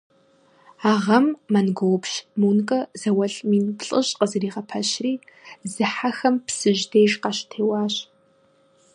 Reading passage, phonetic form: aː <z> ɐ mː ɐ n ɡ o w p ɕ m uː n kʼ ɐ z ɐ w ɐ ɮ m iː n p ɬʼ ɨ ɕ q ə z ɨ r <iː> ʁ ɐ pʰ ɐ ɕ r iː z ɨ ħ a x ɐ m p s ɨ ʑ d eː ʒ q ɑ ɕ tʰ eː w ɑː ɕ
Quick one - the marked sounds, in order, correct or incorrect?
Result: incorrect: ʁ, correct

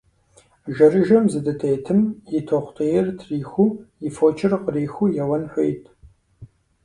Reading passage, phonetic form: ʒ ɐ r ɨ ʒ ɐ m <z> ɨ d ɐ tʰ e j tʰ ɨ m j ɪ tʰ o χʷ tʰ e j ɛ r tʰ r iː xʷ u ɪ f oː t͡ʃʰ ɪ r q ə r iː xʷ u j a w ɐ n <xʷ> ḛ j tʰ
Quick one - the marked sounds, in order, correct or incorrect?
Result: correct, incorrect: ħʷ

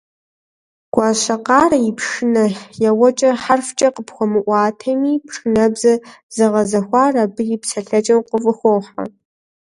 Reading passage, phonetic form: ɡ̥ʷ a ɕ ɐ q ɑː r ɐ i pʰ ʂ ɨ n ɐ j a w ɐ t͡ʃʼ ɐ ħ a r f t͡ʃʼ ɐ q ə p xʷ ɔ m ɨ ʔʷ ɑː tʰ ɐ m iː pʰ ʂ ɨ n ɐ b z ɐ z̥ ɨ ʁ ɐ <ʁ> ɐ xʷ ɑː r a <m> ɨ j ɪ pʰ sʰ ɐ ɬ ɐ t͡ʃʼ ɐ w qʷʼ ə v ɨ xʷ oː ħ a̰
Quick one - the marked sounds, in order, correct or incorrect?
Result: incorrect: z, incorrect: b

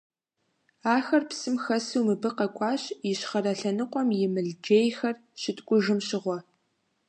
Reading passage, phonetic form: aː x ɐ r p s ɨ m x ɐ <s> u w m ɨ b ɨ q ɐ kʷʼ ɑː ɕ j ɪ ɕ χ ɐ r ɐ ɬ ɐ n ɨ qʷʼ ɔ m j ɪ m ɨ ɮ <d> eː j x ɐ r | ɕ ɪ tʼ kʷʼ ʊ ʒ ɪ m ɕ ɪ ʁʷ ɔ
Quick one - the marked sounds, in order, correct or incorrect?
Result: correct, incorrect: d͡ʒ

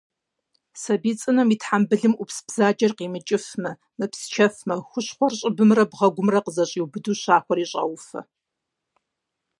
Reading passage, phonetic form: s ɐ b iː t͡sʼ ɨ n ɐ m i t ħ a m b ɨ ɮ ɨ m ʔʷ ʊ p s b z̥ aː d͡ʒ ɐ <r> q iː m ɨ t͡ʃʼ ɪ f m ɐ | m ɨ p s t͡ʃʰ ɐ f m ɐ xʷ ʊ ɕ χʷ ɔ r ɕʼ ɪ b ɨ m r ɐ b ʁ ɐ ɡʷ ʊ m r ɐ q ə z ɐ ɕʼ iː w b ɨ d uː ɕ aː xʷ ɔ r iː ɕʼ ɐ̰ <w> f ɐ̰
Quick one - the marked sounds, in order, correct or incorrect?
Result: correct, correct

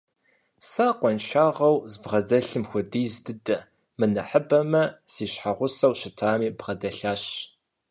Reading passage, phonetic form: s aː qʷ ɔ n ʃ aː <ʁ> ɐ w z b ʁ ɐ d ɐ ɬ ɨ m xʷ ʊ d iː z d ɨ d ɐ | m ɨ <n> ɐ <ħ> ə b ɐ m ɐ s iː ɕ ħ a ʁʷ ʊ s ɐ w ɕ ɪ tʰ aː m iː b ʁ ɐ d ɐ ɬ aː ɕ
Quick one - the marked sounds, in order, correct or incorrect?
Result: correct, correct, correct

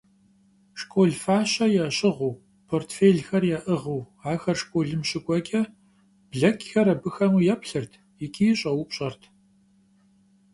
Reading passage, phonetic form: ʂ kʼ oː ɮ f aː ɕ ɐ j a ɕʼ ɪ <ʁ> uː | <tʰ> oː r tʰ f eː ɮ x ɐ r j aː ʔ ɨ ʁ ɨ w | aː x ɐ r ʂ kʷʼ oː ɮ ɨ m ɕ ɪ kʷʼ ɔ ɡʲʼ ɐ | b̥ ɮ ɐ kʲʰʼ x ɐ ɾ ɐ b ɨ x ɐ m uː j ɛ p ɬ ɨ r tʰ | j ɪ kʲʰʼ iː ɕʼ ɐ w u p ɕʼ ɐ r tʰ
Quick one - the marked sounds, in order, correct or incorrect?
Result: correct, incorrect: pʰ

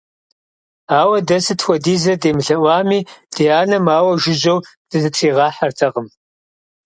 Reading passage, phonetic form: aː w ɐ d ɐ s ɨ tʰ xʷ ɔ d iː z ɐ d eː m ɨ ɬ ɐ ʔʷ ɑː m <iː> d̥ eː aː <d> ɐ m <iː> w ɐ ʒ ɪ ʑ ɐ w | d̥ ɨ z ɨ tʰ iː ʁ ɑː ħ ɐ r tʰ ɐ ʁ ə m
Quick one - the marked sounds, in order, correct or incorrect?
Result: correct, incorrect: n, incorrect: aː

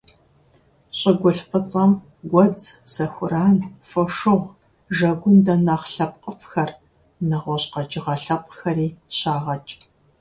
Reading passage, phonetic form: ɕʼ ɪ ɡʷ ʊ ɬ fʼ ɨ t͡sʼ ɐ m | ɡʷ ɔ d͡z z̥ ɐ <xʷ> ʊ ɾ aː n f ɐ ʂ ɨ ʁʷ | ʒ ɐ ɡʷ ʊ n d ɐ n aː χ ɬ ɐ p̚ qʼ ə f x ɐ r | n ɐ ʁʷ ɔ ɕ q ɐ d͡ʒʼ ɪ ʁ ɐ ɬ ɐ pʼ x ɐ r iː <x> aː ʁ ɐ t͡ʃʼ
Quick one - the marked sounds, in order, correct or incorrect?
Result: correct, incorrect: ɕ

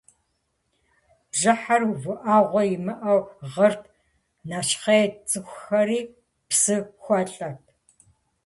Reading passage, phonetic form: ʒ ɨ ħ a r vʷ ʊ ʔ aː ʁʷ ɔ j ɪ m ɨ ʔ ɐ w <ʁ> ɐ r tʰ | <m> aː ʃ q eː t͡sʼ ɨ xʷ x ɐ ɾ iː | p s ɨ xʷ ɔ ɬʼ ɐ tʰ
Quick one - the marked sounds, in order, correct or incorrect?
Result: correct, incorrect: n

